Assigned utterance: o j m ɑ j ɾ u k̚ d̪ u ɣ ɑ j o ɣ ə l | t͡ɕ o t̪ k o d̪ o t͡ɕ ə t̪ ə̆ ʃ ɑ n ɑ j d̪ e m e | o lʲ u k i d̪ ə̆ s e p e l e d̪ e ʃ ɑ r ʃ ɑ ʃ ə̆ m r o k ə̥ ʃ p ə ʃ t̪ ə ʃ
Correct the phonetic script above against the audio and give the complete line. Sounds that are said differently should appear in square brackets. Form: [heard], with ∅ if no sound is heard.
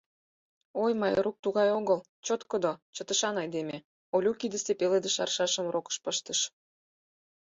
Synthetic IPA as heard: o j m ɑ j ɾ u k̚ [t̪] u ɣ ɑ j o ɣ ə l | t͡ɕ o t̪ k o d̪ o t͡ɕ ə t̪ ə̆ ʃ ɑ n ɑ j d̪ e m e | o lʲ u k i d̪ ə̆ s e p e l e d̪ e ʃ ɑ r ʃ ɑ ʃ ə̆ m r o k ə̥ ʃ p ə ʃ t̪ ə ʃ

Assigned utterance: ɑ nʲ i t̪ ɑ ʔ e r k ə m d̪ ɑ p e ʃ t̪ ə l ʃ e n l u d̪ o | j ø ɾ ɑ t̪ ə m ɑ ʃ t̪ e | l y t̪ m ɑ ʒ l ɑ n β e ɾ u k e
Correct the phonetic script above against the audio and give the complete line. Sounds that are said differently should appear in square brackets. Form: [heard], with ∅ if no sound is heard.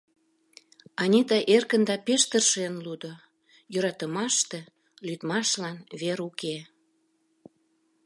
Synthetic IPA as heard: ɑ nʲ i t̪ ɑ ʔ e r k ə [n] d̪ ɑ p e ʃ t̪ ə [r] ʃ e n l u d̪ o | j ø ɾ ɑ t̪ ə m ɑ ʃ t̪ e | l y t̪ m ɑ [ʃ] l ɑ n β e ɾ u k e

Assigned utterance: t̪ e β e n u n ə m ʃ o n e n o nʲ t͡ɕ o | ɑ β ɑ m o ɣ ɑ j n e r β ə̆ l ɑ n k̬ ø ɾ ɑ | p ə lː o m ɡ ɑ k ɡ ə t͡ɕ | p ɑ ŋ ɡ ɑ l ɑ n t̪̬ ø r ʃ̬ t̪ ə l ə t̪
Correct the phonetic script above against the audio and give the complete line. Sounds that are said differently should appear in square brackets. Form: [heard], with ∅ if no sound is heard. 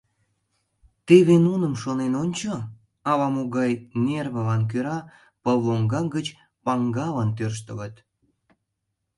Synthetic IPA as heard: t̪ e β e n u n ə m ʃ o n e n o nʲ t͡ɕ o | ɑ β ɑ m o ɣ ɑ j n e r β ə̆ l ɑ n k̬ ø ɾ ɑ | p ə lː o [ŋ] ɡ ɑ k ɡ ə t͡ɕ | p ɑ ŋ ɡ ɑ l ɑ n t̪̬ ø r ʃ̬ t̪ ə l ə t̪

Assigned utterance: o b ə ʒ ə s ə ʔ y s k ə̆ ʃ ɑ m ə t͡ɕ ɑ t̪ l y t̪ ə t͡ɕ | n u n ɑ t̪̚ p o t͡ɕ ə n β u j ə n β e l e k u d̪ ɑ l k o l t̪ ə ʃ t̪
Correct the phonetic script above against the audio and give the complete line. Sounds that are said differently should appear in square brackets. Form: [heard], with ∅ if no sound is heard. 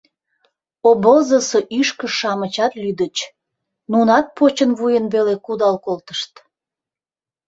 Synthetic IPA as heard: o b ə [z] ə s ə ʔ y [ʃ] k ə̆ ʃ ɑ m ə t͡ɕ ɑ t̪ l y [d̪] ə t͡ɕ | n u n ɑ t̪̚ p o t͡ɕ ə n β u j ə n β e l e k u d̪ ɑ l k o l t̪ ə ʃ t̪

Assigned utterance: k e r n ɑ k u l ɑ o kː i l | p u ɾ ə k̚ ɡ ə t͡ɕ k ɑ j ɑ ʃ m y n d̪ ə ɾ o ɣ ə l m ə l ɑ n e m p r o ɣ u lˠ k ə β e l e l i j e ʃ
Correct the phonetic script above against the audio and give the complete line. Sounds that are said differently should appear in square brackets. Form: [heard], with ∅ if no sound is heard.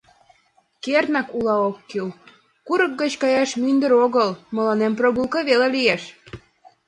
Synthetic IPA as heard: k e r n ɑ k u l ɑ o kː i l | [k] u ɾ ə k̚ ɡ ə t͡ɕ k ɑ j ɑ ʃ m y n d̪ ə ɾ o ɣ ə l m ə l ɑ n e m p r o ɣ u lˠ k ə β e l e l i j e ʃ

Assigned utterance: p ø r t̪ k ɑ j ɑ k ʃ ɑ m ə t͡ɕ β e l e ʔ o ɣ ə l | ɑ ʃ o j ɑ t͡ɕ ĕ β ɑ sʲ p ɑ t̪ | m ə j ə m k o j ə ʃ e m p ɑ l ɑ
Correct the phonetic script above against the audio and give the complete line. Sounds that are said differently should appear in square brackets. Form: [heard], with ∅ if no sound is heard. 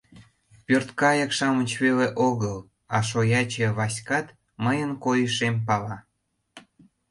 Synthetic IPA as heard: p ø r t̪ k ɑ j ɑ k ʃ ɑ m ə t͡ɕ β e l e ʔ o ɣ ə l | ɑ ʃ o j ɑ t͡ɕ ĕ β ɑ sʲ [k] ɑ t̪ | m ə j ə [n] k o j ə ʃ e m p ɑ l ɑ

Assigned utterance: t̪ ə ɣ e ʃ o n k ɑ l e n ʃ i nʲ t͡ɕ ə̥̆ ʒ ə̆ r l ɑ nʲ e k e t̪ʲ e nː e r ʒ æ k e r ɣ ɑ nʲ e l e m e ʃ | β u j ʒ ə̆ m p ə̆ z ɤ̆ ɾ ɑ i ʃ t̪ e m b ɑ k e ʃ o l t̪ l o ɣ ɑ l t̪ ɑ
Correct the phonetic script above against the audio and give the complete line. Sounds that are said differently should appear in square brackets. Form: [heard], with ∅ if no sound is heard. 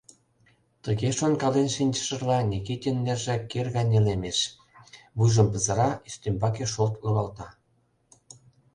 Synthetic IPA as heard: t̪ ə ɣ e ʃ o n k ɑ l e n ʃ i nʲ t͡ɕ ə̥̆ [ʃ] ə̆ r l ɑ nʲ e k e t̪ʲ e nː e r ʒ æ k e r ɣ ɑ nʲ e l e m e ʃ | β u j ʒ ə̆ m p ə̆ z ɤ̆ ɾ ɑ i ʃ t̪ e m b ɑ k e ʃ o l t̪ l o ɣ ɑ l t̪ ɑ

